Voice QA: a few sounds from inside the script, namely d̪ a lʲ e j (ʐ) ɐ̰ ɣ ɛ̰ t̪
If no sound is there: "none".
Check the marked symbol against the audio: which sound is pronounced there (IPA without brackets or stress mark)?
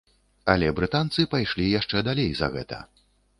z